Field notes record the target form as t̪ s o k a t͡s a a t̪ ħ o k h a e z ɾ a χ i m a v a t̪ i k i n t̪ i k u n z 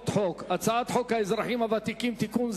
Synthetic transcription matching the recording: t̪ ħ o k a t͡s a a t̪ ħ o k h a e z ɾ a ħ i m a v a t̪ i k i m t̪ i k u n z